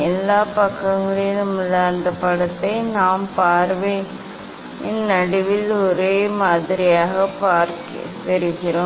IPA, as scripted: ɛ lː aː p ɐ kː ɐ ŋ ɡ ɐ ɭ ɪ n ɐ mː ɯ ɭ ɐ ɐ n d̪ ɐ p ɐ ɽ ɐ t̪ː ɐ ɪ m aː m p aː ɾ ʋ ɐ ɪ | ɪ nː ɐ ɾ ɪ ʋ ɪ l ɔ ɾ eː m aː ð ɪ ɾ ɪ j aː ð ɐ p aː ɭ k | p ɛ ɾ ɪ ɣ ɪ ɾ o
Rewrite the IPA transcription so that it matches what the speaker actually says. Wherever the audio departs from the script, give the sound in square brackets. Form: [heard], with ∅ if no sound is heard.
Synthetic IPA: ɛ lː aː p ɐ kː ɐ ŋ ɡ ɐ ɭ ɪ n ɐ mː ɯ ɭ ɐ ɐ n d̪ ɐ p ɐ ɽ ɐ t̪ː ɐ ɪ [n] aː m p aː ɾ ʋ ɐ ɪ | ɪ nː ɐ [ɽ] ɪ ʋ ɪ l ɔ ɾ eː m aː ð ɪ ɾ ɪ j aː [ɣ] ɐ p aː [ɾ] k | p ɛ ɾ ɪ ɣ ɪ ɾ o